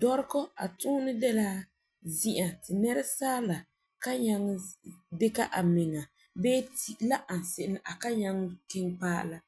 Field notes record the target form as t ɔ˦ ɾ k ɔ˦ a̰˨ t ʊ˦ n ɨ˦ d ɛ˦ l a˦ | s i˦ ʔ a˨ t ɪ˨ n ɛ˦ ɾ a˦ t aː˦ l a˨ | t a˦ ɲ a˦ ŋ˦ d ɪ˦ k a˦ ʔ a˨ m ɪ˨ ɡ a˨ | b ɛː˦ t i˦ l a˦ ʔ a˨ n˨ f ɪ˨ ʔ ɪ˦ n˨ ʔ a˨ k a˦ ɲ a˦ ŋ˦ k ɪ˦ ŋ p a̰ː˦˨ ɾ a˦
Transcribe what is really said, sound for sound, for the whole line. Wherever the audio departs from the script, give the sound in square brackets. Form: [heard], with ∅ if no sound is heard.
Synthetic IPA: [d] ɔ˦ ɾ k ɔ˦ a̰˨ t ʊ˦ n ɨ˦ d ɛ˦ l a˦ | [z] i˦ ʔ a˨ t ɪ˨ n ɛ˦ ɾ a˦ [s] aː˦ l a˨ | [k] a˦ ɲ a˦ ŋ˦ d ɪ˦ k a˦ ʔ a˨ m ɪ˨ [ŋ] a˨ | b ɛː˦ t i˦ l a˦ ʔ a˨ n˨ [s] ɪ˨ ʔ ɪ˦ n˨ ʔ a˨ k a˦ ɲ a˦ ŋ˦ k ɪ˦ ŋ p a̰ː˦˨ [l] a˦

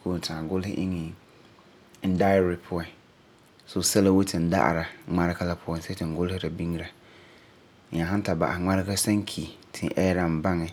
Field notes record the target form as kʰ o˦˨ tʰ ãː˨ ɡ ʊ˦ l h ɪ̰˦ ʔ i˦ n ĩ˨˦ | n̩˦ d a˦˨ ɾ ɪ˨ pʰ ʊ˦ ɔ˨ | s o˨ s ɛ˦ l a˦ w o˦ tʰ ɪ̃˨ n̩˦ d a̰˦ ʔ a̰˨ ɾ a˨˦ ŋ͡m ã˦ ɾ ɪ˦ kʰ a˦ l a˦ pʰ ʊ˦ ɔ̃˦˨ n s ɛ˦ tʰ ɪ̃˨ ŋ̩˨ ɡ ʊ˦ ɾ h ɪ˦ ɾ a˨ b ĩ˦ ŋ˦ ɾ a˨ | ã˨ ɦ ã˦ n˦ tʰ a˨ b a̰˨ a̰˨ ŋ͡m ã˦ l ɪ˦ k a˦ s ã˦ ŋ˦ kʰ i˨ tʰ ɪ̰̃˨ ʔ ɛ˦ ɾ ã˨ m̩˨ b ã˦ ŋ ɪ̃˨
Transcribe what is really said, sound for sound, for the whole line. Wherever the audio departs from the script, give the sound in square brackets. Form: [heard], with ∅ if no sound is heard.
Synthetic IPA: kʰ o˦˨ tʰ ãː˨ ɡ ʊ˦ l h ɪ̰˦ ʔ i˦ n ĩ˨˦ | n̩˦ d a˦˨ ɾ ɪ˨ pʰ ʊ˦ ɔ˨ | s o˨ s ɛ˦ l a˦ w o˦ tʰ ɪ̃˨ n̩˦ d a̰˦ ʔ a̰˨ ɾ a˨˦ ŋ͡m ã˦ ɾ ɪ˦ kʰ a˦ l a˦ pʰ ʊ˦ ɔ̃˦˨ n s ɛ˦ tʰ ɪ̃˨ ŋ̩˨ ɡ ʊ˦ [l] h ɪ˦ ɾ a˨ b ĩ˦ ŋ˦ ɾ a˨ | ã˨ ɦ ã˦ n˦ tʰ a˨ b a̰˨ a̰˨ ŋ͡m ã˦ [ɾ] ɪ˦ k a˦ s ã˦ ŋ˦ kʰ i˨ tʰ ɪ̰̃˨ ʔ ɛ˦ ɾ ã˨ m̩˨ b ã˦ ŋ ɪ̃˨

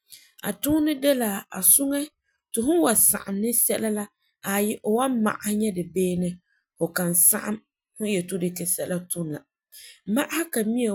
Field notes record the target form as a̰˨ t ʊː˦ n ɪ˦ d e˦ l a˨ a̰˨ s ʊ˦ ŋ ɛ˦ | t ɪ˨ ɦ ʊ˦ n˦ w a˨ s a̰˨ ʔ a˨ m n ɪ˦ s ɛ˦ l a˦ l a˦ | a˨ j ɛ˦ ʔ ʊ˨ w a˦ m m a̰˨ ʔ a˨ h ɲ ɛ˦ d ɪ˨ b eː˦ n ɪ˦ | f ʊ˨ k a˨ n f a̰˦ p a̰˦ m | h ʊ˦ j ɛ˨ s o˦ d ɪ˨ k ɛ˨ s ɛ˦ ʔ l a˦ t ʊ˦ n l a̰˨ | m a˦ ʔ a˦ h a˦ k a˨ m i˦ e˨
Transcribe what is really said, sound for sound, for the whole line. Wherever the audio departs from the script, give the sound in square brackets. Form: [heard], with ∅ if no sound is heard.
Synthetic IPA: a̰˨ t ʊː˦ n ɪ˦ d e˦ l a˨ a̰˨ s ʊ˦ ŋ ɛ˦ | t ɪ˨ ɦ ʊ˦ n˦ w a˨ s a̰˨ ʔ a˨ m n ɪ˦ s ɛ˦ l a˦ l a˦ | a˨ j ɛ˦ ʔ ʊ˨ w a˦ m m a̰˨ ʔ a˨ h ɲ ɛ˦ d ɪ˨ b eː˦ n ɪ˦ | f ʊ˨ k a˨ n [s] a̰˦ [ʔ] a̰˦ m | h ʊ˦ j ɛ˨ [t] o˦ d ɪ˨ k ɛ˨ s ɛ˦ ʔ l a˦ t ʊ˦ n l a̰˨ | m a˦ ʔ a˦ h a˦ k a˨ m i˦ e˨

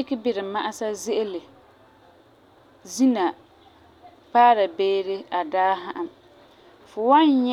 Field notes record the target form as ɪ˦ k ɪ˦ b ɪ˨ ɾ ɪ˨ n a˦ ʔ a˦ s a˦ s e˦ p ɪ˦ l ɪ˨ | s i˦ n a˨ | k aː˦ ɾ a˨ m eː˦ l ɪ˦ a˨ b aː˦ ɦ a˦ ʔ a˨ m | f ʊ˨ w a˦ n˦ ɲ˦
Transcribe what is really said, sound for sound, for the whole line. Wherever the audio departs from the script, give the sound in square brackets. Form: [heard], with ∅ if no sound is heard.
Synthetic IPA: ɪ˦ k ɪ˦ b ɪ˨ ɾ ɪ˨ [m] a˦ ʔ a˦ s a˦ [z] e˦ [ʔ] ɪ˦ l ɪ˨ | [z] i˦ n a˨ | [p] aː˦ ɾ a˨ [b] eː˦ [ɾ] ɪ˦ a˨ [d] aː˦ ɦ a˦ ʔ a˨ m | f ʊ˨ w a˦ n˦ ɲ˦

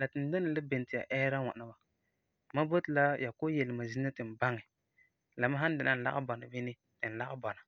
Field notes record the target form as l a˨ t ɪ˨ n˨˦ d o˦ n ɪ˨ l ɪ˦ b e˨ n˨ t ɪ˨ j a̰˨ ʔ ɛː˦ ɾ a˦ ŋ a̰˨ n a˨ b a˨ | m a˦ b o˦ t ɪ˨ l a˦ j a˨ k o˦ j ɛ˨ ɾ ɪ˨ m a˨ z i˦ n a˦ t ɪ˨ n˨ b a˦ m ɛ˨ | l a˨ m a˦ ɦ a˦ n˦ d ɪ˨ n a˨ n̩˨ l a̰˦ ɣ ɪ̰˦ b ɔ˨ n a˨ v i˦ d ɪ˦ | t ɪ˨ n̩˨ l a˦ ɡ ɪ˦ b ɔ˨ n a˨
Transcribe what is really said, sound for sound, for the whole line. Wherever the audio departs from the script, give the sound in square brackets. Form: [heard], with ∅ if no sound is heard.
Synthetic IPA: l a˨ t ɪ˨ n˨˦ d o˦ n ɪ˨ l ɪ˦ b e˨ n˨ t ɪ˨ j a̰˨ ʔ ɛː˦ ɾ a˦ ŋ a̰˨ n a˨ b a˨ | m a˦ b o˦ t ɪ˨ l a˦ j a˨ k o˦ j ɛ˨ [l] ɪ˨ m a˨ z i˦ n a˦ t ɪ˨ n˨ b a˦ [ŋ] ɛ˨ | l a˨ m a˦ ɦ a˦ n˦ d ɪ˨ n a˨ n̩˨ l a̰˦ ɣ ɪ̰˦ b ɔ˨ n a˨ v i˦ [n] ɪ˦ | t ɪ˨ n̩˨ l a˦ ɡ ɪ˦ b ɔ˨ n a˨

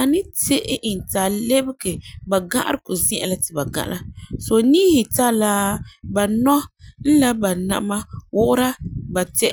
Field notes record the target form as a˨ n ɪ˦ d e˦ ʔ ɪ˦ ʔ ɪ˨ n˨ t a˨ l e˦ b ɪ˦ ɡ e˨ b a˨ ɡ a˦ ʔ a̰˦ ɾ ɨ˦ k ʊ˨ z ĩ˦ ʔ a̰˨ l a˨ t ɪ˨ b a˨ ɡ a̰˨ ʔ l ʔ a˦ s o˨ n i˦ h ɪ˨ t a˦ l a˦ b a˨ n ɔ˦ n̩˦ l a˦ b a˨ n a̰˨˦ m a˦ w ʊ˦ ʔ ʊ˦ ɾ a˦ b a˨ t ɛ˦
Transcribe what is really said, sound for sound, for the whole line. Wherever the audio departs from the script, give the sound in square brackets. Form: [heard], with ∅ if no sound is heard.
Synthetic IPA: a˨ n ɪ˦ [t] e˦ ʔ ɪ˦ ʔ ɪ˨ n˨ t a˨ l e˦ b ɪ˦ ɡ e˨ b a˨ ɡ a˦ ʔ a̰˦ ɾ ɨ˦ k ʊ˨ z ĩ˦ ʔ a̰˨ l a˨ t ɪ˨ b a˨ ɡ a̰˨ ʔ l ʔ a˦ s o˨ n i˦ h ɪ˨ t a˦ l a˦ b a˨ n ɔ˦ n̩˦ l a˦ b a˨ n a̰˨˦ m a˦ w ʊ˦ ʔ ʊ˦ ɾ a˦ b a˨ t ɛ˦

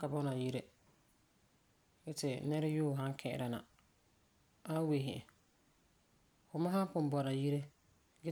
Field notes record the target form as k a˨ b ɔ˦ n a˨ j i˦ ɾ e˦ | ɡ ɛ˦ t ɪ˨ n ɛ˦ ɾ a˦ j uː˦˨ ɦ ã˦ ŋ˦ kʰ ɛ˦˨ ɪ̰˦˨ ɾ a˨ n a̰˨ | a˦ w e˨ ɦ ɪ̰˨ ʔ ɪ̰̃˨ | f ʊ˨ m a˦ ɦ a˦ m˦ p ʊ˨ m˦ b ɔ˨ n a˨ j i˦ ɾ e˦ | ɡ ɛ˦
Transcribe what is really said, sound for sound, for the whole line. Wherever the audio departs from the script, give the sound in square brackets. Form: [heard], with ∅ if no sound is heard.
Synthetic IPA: k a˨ b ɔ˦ n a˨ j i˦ ɾ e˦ | ɡ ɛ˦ t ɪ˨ n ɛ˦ ɾ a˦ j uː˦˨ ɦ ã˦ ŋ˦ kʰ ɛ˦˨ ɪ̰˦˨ ɾ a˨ n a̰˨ | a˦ w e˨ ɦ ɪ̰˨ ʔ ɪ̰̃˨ | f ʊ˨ m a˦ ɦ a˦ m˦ p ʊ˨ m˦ b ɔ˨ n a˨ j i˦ ɾ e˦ | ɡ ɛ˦

